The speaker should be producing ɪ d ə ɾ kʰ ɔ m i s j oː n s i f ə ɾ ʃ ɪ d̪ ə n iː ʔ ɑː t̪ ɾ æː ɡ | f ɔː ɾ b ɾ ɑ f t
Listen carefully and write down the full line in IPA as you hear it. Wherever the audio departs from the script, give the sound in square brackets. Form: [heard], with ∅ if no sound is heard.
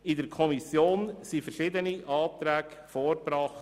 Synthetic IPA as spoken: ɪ d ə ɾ kʰ ɔ m i s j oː n s i f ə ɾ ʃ ɪ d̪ ə n [i] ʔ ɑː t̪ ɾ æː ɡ | f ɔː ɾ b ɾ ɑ [χ] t

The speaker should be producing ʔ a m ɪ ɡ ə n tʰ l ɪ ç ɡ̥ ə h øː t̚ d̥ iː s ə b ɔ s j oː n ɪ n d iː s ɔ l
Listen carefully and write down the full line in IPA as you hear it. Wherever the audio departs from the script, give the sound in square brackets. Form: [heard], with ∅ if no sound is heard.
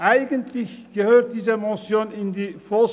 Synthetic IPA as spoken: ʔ a [∅] ɪ ɡ ə n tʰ l ɪ ç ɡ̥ ə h øː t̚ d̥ iː [z] ə [m] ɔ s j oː n ɪ n d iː [f] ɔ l

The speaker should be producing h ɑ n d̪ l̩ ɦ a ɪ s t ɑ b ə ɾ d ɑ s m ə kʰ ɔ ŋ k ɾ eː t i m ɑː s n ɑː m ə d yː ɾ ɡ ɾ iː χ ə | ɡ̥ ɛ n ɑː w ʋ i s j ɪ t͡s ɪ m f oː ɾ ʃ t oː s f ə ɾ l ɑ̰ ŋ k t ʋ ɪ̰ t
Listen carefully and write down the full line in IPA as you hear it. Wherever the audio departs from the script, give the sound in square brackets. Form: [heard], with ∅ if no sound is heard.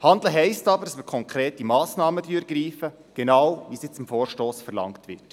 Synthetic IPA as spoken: h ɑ n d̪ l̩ ɦ [ɛ] ɪ s t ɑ b ə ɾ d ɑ s m ə kʰ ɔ ŋ k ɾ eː t i m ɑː s n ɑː m ə d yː ɾ ɡ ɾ iː [f] ə | ɡ̥ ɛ n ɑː w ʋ i s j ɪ t͡s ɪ m f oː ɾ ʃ t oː s f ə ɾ l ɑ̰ ŋ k t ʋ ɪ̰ t

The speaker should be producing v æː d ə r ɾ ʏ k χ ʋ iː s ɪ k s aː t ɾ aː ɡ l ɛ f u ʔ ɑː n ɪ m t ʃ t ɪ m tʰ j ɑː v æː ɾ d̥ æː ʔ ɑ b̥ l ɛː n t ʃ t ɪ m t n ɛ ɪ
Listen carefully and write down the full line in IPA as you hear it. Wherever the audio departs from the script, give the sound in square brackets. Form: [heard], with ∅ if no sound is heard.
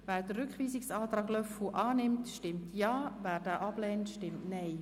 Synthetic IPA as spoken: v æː d ə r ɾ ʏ k χ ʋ iː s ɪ k s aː t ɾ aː ɡ l [œ] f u ʔ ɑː n ɪ m t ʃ t ɪ m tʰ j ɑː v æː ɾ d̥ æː ʔ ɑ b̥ l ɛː n t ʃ t ɪ m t n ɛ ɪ

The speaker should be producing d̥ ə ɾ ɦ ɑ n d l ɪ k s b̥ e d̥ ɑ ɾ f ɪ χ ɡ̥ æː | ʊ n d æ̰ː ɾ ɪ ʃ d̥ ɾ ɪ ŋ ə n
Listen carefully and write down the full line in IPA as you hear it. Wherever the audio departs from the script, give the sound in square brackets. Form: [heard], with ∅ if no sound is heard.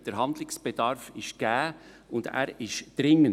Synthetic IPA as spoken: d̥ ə ɾ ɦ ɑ n d l ɪ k s b̥ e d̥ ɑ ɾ f ɪ [ʃ] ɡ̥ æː | ʊ n d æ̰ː ɾ ɪ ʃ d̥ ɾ ɪ ŋ ə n

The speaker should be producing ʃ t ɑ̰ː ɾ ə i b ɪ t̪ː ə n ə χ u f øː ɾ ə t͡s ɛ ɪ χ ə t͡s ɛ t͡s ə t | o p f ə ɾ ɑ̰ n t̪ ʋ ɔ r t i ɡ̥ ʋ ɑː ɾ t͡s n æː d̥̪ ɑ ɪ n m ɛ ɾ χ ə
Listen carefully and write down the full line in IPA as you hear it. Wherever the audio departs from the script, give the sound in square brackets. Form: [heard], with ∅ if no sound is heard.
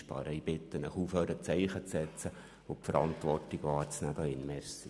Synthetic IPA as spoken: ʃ [p] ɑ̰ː ɾ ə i b ɪ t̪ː ə n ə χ u f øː ɾ ə t͡s ɛ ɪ χ ə t͡s ɛ t͡s ə [∅] | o p f ə ɾ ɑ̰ n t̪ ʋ ɔ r t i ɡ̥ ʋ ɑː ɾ t͡s n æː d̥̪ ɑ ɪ n m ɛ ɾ [s] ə

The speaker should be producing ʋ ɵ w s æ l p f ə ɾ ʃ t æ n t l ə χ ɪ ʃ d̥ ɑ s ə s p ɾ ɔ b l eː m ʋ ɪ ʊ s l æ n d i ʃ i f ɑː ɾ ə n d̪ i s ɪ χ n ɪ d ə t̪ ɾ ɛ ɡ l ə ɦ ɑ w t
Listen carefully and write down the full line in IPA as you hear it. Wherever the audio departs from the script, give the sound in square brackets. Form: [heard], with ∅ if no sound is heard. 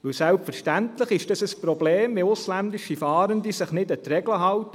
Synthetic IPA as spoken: ʋ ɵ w s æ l p f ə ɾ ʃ t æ n t l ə χ ɪ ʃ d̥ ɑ s ə s p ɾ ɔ b l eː m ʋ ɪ ʊ s l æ n d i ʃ i f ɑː ɾ ə n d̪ i s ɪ χ n ɪ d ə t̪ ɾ ɛ ɡ l ə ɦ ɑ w t

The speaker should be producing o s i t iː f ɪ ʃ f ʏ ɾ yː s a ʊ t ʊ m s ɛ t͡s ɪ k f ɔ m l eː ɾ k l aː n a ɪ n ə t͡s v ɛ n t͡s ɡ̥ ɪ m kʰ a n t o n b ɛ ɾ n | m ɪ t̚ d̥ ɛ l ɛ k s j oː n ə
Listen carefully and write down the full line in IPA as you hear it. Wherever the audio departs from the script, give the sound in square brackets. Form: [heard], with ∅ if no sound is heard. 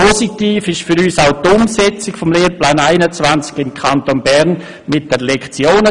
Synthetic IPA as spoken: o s i t iː f ɪ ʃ f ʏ ɾ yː s a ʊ t ʊ m s ɛ t͡s ɪ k f ɔ m l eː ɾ [p] l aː n a ɪ n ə t͡s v [a] n t͡s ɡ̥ ɪ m kʰ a n t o n b ɛ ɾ n | m ɪ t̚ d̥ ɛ l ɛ k [t͡s] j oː n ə

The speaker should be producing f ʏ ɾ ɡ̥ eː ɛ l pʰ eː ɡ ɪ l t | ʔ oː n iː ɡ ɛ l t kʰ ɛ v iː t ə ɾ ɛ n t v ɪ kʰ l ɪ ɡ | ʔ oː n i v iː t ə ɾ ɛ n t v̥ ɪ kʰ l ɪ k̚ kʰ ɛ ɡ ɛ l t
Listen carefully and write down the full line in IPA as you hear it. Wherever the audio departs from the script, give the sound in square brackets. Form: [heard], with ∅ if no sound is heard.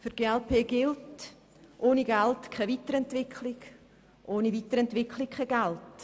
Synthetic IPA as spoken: f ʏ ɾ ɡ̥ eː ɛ l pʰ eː ɡ ɪ l t | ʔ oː n [i] ɡ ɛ l t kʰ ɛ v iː t ə ɾ ɛ n t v ɪ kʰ l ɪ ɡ | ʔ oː n i v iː t ə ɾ ɛ n t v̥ ɪ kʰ l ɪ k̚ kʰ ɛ ɡ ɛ l t

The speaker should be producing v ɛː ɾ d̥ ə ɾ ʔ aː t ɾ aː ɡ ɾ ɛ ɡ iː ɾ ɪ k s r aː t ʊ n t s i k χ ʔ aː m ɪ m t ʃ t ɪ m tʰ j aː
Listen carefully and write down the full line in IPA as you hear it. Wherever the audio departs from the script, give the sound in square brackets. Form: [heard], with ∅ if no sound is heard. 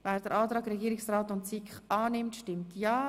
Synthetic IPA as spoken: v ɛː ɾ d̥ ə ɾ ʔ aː t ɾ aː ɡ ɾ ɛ ɡ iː ɾ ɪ k s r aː t ʊ n t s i k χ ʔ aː [n] ɪ m t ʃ t ɪ m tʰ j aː

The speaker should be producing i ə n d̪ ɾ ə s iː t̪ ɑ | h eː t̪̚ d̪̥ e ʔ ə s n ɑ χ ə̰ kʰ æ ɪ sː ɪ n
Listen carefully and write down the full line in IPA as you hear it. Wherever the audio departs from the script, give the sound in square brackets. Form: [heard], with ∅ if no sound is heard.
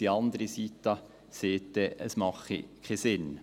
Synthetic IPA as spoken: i [ɑ] n d̪ ɾ ə s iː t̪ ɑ | [s] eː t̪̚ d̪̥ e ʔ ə s [m] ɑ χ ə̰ kʰ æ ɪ [s] ɪ n

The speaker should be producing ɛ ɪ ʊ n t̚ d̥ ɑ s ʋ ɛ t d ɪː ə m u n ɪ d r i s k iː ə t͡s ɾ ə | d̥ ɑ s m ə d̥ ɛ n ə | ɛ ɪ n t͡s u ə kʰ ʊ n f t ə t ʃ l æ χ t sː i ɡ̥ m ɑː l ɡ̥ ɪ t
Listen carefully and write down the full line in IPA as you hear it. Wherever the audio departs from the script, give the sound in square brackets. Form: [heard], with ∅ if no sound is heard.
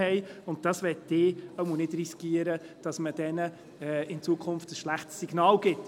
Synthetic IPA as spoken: ɛ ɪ ʊ n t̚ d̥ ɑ s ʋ ɛ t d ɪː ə m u n ɪ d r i s k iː ə [∅] ɾ ə | d̥ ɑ s m ə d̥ ɛ n ə | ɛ ɪ n t͡s u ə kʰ ʊ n f t ə [s] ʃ l æ χ t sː i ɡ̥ [n] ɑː l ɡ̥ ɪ t

